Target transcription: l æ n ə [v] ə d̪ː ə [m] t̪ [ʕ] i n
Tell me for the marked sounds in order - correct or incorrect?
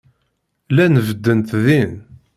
correct, incorrect: n, incorrect: ð

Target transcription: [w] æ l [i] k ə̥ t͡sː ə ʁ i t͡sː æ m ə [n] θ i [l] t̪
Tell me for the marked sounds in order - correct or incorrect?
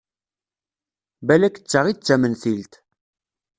incorrect: b, incorrect: æ, correct, correct

